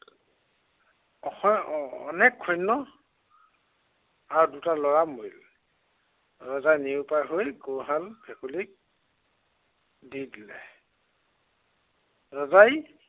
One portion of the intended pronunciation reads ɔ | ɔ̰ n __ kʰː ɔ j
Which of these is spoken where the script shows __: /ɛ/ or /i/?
ɛ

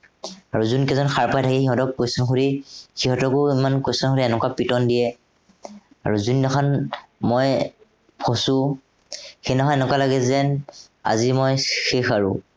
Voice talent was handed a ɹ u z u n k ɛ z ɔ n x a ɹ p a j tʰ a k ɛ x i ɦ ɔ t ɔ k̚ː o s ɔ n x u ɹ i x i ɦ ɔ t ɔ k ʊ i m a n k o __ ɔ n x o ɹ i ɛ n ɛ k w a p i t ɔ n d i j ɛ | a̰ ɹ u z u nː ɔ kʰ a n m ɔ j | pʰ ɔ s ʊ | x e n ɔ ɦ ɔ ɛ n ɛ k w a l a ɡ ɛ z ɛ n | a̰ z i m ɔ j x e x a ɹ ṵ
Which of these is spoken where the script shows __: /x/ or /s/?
s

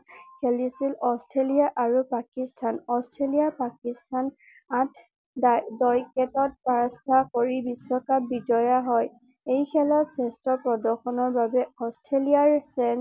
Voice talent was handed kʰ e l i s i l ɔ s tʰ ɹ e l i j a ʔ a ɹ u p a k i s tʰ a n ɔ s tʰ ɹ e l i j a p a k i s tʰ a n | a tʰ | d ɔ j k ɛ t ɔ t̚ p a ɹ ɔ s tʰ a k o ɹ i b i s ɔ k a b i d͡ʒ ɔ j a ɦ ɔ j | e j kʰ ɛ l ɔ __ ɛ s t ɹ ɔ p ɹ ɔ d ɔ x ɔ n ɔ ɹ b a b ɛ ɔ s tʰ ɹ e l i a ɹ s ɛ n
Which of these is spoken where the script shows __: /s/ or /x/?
s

